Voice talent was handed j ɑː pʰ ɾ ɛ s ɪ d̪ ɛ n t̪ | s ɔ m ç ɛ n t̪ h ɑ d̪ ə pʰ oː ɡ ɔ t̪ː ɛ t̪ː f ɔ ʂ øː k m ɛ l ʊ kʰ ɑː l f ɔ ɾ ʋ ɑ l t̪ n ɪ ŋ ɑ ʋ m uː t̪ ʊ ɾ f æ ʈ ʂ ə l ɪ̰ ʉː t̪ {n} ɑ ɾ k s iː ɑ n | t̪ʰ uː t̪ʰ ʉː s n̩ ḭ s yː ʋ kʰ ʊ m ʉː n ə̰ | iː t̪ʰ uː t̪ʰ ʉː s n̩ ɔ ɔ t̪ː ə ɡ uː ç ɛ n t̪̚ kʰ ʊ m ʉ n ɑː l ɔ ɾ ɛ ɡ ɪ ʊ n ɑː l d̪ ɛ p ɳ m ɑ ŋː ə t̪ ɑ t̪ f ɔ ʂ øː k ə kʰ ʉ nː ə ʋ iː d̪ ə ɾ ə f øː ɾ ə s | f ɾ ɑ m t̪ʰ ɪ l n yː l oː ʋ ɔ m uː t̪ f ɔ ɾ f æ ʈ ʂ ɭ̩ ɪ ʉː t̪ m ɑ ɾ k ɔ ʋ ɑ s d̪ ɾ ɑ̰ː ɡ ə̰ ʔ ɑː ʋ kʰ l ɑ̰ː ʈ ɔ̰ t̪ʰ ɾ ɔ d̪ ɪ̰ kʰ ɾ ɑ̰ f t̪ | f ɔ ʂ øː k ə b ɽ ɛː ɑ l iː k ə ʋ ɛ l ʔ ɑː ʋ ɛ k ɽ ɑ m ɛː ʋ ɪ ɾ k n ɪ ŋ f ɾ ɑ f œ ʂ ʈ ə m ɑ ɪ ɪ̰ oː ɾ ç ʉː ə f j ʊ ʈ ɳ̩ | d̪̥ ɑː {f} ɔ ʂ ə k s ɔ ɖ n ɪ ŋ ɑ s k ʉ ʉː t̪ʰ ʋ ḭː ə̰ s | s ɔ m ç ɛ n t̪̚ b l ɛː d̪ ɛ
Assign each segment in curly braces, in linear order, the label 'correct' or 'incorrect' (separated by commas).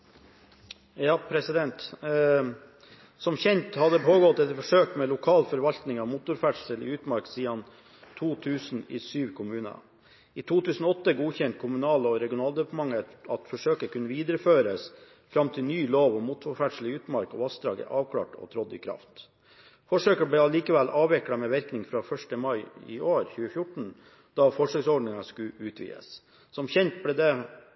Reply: incorrect, correct